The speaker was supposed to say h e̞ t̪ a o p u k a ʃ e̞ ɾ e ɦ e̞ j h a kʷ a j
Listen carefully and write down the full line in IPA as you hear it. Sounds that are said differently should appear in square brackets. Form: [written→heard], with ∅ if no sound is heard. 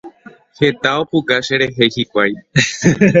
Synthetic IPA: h e̞ t̪ a o p u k a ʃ e̞ ɾ e ɦ e̞ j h [a→i] kʷ a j